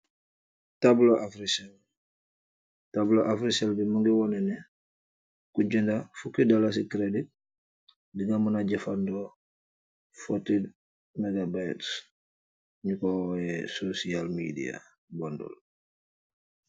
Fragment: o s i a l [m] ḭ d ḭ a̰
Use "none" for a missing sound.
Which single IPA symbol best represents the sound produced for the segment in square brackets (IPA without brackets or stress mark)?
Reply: m